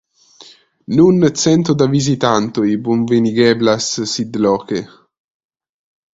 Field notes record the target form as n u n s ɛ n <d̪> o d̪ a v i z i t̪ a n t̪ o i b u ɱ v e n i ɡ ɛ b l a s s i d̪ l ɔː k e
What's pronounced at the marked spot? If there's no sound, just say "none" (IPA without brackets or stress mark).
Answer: t̪